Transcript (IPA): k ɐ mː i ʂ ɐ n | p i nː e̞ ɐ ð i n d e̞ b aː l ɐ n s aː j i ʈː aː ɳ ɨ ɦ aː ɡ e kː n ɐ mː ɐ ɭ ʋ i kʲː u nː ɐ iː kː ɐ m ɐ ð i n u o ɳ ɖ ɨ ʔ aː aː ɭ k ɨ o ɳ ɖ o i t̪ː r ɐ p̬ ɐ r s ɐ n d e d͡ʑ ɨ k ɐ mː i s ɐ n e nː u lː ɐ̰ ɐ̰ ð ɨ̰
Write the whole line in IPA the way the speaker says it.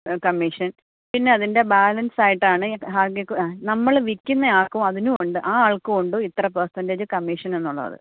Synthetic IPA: k ɐ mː i ʂ ɐ n | p i nː e̞ ɐ ð i n d e̞ b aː l ɐ n s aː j i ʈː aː ɳ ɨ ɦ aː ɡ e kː n ɐ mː ɐ ɭ ʋ i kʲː u nː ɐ aː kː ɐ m ɐ ð i n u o ɳ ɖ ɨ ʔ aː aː ɭ k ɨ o ɳ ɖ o i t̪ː r ɐ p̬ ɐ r s ɐ n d e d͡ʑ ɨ k ɐ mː i ʂ ɐ n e nː u ɭː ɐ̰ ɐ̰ ð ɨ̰